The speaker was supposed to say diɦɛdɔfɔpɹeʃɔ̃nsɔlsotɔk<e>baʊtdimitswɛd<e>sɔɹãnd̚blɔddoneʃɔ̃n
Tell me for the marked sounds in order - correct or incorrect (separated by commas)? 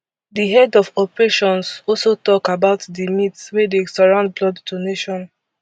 incorrect, correct